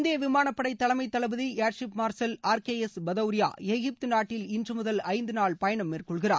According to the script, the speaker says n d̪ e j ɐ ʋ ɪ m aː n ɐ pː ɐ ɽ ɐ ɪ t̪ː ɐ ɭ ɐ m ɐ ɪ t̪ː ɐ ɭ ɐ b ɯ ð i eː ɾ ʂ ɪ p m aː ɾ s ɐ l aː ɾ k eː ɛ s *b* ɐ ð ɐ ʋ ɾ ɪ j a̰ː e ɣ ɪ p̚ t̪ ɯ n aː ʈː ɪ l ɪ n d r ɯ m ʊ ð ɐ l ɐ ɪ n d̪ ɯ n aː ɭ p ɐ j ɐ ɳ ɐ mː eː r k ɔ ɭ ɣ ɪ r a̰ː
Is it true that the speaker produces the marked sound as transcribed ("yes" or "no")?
yes